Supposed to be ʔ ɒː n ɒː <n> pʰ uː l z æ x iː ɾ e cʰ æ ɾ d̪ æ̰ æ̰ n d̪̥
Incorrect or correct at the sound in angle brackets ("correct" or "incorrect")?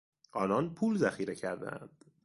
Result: correct